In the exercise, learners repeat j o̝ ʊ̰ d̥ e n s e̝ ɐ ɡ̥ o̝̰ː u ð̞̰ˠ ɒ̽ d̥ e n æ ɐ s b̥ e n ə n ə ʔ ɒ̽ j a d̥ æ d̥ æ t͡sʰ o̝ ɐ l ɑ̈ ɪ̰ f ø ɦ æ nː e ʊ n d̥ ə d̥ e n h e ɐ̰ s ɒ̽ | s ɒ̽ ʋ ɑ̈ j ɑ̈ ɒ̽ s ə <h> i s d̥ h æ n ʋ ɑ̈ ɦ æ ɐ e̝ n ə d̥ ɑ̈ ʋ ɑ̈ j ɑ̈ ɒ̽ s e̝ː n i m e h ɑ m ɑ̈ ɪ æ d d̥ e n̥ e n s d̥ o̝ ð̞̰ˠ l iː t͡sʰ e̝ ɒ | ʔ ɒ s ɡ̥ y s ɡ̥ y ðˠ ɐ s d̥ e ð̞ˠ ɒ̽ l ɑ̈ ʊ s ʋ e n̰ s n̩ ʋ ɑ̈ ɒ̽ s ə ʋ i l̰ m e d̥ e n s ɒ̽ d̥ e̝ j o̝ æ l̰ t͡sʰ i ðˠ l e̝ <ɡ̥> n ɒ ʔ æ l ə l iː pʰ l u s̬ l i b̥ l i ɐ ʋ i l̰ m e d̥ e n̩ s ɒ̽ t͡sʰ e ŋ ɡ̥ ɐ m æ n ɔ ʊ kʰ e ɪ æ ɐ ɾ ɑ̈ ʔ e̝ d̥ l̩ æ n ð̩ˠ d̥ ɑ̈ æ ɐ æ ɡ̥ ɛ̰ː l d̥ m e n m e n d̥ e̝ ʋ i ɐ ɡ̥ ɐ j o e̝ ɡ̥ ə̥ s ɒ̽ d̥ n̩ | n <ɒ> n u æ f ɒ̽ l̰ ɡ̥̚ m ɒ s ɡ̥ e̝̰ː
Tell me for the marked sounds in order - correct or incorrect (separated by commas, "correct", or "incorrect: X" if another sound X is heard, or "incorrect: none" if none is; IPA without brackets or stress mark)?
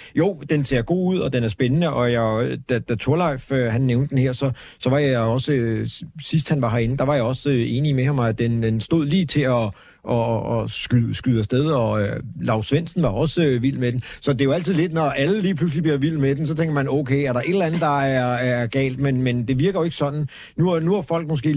incorrect: s, incorrect: d̥, incorrect: u